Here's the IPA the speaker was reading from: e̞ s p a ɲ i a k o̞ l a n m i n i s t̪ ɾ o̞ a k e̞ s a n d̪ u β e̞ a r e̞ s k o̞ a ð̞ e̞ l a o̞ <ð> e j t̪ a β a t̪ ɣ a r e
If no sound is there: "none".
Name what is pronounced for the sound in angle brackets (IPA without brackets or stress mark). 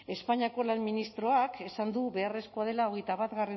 ɣ